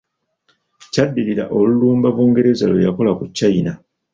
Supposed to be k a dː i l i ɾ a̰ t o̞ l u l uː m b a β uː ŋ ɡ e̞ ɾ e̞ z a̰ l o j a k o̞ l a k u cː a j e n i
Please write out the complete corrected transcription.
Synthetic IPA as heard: c a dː i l i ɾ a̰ ʔ o̞ l u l uː m b a β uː ŋ ɡ e̞ ɾ e̞ z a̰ l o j a k o̞ l a k u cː a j i n a